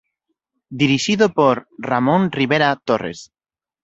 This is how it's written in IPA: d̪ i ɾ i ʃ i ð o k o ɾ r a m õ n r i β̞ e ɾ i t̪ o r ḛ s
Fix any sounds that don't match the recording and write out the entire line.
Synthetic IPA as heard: d̪ i ɾ i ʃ i ð o p o ɾ r a m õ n r i β̞ e ɾ a t̪ o r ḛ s